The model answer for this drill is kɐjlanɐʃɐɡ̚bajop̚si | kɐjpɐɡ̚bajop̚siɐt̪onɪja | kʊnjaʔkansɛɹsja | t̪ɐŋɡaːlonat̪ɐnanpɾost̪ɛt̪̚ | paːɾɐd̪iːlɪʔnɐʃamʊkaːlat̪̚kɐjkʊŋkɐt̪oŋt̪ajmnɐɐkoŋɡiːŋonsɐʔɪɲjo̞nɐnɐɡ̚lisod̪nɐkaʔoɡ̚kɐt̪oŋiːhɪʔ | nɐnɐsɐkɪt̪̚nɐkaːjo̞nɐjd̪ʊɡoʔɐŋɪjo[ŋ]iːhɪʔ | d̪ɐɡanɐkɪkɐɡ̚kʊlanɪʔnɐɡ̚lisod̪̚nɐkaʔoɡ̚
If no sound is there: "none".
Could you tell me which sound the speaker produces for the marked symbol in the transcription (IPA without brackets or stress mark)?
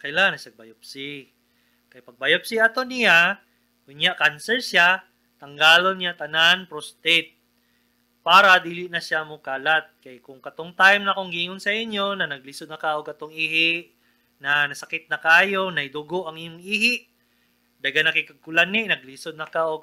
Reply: ŋ